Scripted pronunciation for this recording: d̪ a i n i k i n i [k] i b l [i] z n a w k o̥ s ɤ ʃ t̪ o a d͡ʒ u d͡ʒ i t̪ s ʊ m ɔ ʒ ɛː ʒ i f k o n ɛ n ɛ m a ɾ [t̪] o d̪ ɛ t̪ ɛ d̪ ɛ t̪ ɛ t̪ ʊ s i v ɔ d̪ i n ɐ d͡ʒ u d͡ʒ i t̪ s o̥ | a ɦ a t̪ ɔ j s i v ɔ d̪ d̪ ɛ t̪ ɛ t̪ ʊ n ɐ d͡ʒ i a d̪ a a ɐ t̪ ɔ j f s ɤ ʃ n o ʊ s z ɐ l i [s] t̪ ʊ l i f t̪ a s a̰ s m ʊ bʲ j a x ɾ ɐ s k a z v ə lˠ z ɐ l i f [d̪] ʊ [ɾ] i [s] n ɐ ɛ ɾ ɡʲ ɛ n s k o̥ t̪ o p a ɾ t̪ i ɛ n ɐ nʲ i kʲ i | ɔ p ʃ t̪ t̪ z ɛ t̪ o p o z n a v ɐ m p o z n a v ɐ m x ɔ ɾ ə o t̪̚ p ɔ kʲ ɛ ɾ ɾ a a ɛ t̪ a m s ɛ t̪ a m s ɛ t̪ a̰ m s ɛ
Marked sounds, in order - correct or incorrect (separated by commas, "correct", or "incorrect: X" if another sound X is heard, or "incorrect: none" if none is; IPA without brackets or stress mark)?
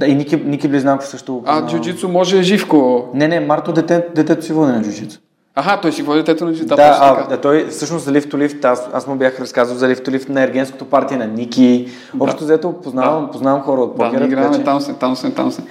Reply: correct, correct, correct, incorrect: f, incorrect: t̪, incorrect: l, incorrect: f